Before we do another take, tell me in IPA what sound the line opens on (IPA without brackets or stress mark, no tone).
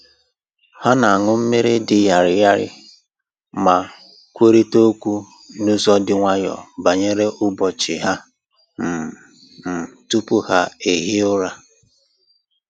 h